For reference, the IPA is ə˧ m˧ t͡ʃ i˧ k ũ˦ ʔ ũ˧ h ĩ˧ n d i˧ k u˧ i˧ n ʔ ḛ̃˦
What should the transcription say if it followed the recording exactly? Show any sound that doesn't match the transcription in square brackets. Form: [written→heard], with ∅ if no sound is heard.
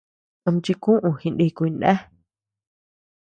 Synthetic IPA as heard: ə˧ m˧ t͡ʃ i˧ k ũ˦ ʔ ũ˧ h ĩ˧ n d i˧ k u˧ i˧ n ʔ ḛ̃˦